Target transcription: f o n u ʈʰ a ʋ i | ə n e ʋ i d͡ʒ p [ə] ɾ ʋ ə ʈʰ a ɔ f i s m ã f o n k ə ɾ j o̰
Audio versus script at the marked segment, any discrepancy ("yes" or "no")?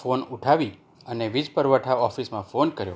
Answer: no